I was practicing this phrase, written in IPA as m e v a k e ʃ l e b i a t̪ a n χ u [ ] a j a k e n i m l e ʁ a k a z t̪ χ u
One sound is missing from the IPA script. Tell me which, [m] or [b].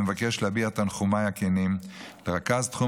m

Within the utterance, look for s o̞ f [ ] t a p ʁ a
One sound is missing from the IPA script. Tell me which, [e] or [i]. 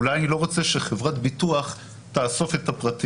e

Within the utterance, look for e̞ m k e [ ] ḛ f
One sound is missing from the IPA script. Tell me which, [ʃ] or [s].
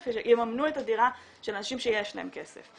s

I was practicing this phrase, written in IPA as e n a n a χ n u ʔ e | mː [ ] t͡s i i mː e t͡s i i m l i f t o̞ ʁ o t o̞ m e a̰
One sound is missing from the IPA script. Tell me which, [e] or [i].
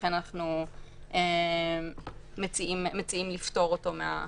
e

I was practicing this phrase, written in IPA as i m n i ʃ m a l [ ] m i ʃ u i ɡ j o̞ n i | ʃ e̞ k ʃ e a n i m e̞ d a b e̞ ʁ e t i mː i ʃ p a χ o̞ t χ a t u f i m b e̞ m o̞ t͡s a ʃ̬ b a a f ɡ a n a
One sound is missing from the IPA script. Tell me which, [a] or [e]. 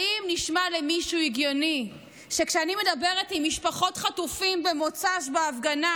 e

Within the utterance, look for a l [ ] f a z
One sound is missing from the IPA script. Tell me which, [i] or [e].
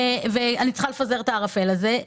e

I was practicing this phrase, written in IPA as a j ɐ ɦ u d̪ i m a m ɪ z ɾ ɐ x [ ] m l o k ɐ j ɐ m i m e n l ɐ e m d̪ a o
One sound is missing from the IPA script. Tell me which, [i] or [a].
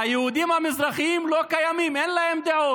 i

